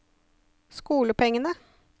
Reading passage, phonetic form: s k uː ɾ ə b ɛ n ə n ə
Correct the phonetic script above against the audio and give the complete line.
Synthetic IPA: s k uː l ə p ɛ ŋ ə n ə